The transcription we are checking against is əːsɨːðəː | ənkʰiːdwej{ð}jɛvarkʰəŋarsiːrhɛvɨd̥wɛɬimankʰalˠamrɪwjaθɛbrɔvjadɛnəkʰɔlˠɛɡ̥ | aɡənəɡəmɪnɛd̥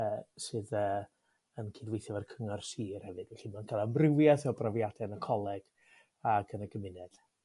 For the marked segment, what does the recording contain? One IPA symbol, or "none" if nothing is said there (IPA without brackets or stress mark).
θ